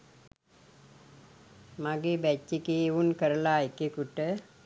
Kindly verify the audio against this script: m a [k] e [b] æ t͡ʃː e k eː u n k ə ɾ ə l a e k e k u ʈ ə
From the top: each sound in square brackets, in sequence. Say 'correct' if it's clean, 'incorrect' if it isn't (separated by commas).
incorrect, correct